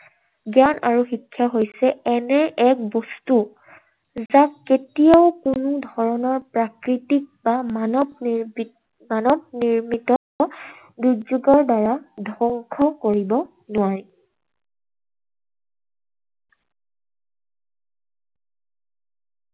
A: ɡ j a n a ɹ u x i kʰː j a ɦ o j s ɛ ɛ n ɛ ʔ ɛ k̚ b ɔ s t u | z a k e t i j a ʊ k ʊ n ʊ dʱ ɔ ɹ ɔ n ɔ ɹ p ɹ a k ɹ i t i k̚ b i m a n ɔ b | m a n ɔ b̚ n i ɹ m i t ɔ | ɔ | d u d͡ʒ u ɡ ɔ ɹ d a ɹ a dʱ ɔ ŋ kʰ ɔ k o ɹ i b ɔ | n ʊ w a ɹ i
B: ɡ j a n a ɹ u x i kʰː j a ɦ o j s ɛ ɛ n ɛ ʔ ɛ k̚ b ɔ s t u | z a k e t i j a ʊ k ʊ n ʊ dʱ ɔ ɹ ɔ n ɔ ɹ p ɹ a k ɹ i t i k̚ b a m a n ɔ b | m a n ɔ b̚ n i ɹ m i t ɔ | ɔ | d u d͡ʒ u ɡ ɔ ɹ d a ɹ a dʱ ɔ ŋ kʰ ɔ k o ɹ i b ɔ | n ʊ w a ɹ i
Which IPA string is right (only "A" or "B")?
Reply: B